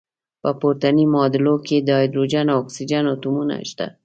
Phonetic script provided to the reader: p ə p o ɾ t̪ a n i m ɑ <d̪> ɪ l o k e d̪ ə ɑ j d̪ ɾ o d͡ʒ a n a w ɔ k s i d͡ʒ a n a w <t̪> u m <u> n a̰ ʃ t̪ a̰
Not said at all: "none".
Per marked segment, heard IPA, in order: d̪, t̪, u

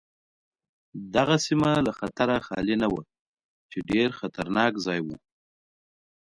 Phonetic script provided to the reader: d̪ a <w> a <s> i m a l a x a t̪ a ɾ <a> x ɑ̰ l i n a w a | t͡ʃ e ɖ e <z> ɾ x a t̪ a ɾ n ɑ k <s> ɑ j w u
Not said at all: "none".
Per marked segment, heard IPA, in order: ɣ, s, a, none, z

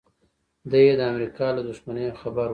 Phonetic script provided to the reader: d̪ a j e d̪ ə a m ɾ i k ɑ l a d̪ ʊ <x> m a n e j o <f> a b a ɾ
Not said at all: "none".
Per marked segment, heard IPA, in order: ʃ, x

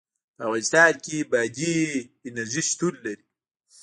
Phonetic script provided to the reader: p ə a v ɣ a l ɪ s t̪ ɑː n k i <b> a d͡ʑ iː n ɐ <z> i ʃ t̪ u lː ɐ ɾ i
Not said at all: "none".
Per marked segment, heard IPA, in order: b, z

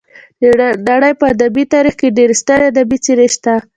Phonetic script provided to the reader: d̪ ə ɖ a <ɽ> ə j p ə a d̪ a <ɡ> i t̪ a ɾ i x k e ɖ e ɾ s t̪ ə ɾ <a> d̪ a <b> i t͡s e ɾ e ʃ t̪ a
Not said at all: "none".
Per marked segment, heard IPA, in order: ɽ, b, a, b

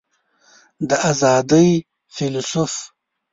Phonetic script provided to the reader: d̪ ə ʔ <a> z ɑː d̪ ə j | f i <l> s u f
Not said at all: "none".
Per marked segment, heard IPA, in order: a, l

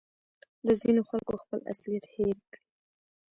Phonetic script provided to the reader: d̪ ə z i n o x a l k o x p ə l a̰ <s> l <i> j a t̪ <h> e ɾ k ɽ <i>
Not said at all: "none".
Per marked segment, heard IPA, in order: s, i, h, i

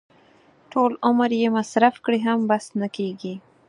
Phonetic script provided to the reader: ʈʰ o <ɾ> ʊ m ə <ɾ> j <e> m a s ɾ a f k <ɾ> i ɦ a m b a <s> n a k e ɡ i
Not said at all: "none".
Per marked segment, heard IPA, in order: l, ɾ, e, ɽ, s

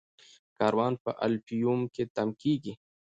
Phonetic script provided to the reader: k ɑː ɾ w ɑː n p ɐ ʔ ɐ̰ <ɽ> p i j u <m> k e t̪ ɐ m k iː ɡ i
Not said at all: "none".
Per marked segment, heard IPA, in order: l, m

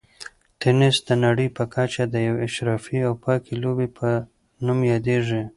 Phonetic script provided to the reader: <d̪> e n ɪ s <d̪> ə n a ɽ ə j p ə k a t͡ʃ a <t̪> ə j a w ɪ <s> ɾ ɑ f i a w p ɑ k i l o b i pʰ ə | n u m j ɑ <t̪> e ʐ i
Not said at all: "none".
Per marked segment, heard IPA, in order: t̪, d̪, d̪, ʃ, d̪

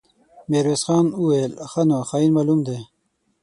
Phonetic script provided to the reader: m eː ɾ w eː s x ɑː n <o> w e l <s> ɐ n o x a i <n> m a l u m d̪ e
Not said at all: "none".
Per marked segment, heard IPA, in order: u, x, n

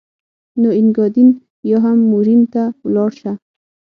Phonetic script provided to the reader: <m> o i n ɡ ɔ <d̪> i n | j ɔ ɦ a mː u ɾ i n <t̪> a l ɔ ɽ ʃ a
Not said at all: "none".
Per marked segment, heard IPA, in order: n, d̪, t̪

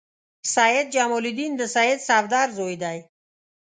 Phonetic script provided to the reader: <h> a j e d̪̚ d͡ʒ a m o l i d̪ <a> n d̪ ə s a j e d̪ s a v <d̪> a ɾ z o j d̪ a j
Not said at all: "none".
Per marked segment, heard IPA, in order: s, i, d̪

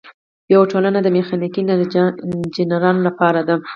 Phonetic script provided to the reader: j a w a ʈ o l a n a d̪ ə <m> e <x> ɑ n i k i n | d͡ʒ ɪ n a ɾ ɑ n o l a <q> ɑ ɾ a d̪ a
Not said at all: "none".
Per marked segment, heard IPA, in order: m, x, p

